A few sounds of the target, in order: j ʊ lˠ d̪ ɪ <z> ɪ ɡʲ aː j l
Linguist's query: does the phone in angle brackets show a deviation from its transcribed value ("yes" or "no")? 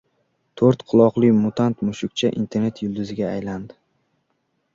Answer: no